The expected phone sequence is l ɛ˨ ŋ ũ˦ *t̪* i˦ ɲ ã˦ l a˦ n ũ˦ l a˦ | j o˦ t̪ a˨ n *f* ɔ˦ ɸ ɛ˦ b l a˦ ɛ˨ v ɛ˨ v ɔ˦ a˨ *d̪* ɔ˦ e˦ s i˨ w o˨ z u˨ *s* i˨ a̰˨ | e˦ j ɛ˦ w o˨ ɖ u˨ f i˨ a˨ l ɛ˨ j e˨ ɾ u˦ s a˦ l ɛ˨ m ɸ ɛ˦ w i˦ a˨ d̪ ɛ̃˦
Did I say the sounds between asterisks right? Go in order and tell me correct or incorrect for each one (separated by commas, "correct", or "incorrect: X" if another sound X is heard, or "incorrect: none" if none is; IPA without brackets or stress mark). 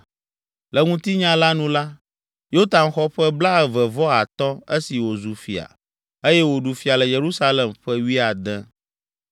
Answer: correct, incorrect: x, incorrect: t̪, incorrect: f